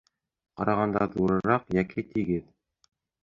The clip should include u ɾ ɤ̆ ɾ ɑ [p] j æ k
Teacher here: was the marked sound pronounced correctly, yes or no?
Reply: no